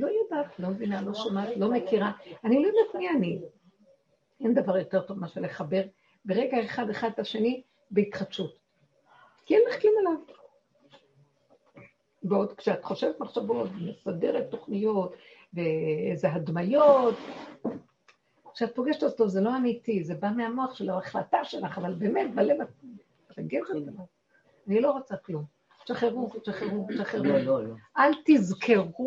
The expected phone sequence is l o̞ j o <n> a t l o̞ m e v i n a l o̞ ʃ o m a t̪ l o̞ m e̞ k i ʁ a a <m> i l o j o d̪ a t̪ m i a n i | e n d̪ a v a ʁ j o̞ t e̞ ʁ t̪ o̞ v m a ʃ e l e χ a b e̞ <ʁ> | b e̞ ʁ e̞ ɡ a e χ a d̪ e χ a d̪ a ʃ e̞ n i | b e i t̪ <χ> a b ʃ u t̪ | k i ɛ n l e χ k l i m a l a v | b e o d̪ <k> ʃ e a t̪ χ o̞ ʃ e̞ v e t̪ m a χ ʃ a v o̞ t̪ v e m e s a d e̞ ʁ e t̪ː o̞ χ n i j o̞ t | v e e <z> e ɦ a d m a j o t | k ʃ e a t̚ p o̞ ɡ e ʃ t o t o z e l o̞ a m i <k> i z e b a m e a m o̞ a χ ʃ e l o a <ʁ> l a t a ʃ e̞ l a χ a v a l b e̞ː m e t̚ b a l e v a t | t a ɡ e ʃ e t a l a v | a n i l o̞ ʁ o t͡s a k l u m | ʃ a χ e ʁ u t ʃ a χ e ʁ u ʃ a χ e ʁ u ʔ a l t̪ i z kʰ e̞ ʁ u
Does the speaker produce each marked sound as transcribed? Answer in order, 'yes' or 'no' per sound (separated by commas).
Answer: no, no, yes, yes, yes, yes, no, no